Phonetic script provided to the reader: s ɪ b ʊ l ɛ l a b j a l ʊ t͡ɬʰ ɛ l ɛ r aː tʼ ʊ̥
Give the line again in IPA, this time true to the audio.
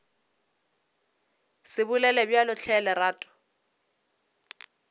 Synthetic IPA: s ɪ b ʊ l ɛ l ɛ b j a l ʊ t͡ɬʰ ɛ l ɛ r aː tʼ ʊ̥